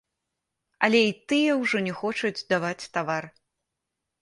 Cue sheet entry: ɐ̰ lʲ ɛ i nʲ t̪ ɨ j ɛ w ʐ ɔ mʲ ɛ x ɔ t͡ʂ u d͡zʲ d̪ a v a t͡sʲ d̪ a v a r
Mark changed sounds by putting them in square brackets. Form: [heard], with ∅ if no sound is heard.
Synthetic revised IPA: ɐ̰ lʲ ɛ i [∅] t̪ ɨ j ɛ w ʐ ɔ [nʲ] ɛ x ɔ t͡ʂ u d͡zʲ d̪ a v a t͡sʲ [t̪] a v a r